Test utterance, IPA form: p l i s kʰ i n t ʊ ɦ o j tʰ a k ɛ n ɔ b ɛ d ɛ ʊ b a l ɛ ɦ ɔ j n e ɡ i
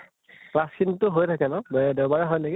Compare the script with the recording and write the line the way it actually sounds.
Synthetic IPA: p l a s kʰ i n t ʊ ɦ o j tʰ a k ɛ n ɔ b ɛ d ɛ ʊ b a ɹ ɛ ɦ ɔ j n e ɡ i

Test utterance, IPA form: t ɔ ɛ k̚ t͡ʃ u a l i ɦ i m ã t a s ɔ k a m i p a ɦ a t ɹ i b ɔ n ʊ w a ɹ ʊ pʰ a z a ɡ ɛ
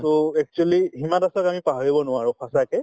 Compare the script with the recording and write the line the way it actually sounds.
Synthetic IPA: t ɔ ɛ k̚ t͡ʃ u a l i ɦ i m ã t a s ɔ k a m i p a ɦ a ɹ i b ɔ n ʊ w a ɹ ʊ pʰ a s a k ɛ

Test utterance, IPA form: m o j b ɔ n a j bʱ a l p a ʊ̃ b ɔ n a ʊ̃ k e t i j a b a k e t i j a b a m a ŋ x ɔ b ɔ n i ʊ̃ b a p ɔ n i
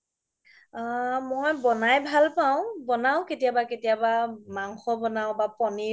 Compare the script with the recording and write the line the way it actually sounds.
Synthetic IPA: m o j b ɔ n a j bʱ a l p a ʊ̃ b ɔ n a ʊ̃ k e t i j a b a k e t i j a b a m a ŋ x ɔ b ɔ n a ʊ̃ b a p ɔ n i

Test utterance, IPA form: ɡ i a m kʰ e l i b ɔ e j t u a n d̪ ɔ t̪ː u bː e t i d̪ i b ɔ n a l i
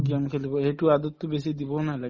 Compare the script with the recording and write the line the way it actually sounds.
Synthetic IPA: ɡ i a m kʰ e l i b ɔ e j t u a d̪ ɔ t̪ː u b e s i d̪ i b ɔ n a l a

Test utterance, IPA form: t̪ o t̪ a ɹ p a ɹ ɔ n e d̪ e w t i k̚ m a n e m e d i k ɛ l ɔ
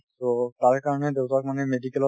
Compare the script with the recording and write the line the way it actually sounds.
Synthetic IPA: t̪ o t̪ a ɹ k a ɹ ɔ n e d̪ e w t a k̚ m a n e m e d i k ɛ l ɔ

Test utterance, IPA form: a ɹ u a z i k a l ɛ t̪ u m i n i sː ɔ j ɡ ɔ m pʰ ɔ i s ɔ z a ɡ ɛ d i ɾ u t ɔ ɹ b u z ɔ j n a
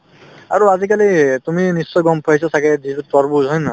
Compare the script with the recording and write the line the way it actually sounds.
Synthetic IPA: a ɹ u a z i k a l i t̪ u m i n i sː ɔ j ɡ ɔ m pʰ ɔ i s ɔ s a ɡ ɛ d i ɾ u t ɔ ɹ b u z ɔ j n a

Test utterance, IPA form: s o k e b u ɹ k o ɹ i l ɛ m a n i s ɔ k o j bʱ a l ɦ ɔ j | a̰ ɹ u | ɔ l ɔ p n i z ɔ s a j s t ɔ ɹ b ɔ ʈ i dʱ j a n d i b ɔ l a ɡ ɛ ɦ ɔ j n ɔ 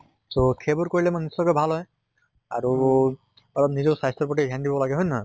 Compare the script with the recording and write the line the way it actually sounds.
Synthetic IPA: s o kʰ e b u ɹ k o ɹ i l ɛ m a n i s ɔ k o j bʱ a l ɦ ɔ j | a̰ ɹ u | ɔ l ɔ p n i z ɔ s a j s t ɔ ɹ p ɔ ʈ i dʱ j a n d i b ɔ l a ɡ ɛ ɦ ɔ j n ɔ

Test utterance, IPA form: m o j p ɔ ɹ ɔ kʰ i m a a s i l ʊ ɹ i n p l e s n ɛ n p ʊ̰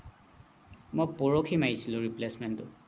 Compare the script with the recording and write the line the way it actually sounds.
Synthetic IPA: m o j p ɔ ɹ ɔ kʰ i m a i s i l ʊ ɹ i p l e s m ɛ n t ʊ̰

